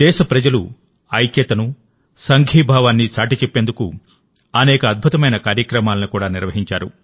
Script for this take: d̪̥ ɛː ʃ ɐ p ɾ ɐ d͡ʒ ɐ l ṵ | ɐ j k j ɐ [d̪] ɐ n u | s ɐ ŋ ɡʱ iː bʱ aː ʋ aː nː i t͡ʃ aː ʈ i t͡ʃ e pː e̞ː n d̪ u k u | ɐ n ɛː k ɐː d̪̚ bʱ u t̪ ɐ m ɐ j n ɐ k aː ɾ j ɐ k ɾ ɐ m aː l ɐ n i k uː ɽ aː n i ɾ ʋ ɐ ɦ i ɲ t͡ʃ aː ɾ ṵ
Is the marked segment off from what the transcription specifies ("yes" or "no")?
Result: yes